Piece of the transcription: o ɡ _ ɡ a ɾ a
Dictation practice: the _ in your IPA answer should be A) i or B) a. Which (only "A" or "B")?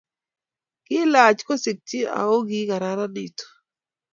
A